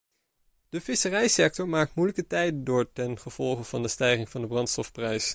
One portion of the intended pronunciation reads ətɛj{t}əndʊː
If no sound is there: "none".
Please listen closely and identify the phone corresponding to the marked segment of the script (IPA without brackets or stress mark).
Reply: d